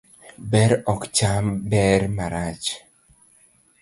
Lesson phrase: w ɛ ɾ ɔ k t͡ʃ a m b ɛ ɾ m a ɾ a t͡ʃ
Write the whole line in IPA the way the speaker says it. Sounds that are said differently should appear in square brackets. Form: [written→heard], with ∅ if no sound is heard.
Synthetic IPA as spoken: [w→b] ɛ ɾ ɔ k t͡ʃ a m b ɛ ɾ m a ɾ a t͡ʃ